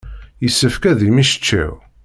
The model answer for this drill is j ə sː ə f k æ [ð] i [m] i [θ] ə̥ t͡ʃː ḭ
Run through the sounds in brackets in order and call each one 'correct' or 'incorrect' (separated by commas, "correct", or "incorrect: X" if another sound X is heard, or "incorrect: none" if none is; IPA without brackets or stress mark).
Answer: correct, correct, incorrect: ʃ